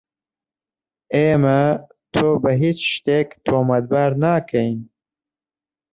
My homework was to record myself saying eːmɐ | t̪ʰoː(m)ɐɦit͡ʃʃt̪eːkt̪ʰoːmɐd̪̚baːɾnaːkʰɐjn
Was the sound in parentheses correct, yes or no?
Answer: no